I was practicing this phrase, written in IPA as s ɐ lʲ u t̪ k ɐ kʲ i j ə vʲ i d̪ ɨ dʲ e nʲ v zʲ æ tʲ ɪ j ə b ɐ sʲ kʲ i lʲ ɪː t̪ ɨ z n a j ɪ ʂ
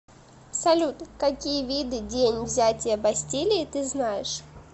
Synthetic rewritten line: s ɐ lʲ u t̪ k ɐ kʲ i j ə vʲ i d̪ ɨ dʲ e nʲ v zʲ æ tʲ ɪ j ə b ɐ sʲ tʲ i lʲ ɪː t̪ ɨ z n a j ɪ ʂ